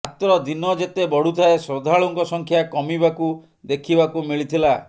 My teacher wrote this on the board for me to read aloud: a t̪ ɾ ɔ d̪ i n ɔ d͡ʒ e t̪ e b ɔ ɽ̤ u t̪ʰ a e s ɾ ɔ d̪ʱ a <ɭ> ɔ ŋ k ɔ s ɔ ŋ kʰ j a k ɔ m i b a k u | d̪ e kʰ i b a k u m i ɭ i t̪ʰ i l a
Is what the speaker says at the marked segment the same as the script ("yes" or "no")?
yes